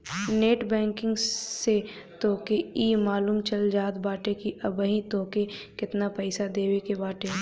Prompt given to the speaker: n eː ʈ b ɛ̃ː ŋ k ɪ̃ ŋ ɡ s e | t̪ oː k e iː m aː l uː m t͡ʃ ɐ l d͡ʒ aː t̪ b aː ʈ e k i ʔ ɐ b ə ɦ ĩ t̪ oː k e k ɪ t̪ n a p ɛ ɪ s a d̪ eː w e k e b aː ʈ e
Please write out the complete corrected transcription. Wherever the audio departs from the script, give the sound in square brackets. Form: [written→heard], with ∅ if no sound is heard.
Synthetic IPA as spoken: n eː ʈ b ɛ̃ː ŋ k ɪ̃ ŋ ɡ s e | t̪ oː k e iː m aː l uː m t͡ʃ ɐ l d͡ʒ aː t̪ b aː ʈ e k i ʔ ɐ b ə ɦ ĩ t̪ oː k e k ɪ t̪ n a p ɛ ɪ s a d̪ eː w e k e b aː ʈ e